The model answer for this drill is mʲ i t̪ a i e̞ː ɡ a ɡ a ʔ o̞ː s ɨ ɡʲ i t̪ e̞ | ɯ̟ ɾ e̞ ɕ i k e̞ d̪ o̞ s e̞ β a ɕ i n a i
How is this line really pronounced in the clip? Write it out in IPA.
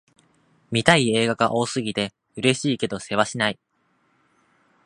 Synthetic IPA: mʲ i t̪ a i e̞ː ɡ a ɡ a ʔ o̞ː s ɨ ɡʲ i t̪ e̞ | ɯ̟ ɾ e̞ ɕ iː k e̞ d̪ o̞ s e̞ β a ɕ i n a i

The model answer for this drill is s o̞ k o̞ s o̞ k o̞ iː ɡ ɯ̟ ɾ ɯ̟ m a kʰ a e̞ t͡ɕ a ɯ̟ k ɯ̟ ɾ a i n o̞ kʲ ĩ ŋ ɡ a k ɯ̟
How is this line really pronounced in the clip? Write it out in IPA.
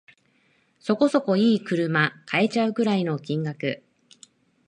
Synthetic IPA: s o̞ k o̞ s o̞ k o̞ iː k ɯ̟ ɾ ɯ̟ m a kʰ a e̞ t͡ɕ a ɯ̟ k ɯ̟ ɾ a i n o̞ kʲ ĩ ŋ ɡ a k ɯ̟

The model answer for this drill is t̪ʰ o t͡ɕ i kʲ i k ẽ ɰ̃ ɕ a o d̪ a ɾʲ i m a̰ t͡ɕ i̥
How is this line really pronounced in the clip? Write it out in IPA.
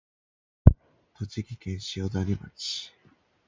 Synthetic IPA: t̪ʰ o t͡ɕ i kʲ i k ẽ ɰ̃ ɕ i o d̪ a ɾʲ i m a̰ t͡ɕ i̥

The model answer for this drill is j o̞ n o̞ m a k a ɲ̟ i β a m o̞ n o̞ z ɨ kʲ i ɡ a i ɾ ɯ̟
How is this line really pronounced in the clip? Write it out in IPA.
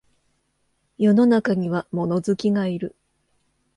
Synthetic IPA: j o̞ n o̞ n a k a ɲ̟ i β a m o̞ n o̞ z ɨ kʲ i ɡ a i ɾ ɯ̟

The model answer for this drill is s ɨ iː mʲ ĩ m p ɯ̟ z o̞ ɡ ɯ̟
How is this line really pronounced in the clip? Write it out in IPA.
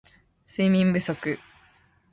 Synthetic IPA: s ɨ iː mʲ ĩ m b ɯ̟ s o̞ k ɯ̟

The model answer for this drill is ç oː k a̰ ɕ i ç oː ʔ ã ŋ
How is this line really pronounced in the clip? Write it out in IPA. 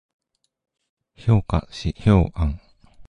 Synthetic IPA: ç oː k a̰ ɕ i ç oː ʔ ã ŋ

